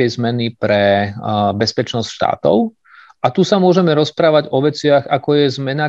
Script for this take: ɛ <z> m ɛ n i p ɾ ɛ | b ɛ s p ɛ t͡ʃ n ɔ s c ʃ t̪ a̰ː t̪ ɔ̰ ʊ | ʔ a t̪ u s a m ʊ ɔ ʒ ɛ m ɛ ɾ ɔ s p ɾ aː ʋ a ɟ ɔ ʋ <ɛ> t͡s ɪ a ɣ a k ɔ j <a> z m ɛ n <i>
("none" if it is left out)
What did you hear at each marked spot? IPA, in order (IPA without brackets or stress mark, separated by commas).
z, ɛ, ɛ, a